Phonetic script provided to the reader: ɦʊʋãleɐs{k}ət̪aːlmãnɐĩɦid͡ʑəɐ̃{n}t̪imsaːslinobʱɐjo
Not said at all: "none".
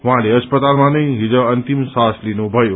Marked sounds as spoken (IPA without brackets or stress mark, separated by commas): p, n